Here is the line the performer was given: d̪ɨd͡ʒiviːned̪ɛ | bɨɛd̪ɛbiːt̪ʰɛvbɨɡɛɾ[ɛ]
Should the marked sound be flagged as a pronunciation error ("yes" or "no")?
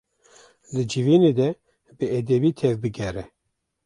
no